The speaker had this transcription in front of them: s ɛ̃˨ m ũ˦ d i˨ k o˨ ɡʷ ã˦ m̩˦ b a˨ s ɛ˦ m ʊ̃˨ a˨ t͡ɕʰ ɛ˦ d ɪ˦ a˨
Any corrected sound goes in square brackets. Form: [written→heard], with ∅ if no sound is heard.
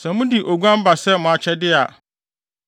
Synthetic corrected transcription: s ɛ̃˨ m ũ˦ d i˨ [k→ʔ] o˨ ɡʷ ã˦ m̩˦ b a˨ s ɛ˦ m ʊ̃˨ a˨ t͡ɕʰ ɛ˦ d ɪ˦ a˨